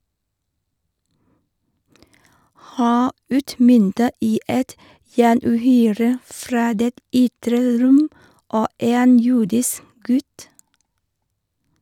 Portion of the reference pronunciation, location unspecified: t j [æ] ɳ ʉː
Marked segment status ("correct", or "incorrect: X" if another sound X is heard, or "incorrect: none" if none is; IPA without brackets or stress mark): incorrect: æː